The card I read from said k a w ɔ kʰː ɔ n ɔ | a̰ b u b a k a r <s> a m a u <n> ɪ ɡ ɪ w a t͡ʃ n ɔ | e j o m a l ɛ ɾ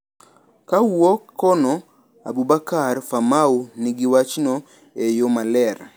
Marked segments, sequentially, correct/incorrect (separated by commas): incorrect, correct